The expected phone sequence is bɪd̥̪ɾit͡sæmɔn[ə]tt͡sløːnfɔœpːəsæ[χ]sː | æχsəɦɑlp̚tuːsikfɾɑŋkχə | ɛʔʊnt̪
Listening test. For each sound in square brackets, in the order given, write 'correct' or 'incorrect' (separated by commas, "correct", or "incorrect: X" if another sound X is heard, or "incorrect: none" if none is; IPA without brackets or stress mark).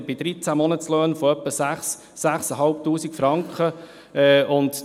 correct, correct